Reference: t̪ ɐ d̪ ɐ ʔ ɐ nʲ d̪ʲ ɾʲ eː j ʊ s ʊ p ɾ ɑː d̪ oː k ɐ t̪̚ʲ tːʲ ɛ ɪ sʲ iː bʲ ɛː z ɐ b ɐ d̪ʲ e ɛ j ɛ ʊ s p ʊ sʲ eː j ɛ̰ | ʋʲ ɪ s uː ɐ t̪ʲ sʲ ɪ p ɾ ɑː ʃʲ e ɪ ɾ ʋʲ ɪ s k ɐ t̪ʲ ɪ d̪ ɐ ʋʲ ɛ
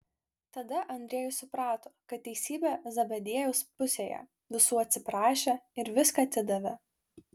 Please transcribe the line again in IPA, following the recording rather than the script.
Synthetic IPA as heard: t̪ ɐ d̪ ɐ ʔ ɐ nʲ d̪ʲ ɾʲ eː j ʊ s ʊ p ɾ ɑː t̪ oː k ɐ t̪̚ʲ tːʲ ɛ ɪ sʲ iː bʲ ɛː z ɐ b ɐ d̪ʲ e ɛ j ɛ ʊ s p ʊ sʲ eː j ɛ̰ | ʋʲ ɪ s uː ɐ t̪ʲ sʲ ɪ p ɾ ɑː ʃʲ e ɪ ɾ ʋʲ ɪ s k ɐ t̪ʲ ɪ d̪ ɐ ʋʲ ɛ